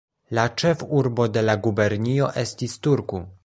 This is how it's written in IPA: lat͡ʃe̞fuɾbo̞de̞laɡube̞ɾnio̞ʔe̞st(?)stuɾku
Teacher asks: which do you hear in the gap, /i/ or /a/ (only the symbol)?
i